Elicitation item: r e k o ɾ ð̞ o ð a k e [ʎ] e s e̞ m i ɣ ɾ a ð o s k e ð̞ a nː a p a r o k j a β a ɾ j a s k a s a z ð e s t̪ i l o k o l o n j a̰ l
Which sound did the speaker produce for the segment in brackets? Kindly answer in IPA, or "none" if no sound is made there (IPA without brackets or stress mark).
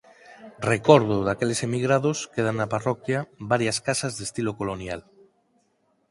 l